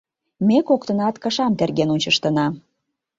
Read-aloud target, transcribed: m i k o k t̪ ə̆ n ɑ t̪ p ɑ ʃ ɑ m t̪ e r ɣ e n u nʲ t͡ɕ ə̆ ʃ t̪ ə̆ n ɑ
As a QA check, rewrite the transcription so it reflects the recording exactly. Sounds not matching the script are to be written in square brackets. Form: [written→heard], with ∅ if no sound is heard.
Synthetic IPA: m [i→e] k o k t̪ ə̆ n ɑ t̪ [p→k] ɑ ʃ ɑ m t̪ e r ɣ e n u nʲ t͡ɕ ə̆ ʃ t̪ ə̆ n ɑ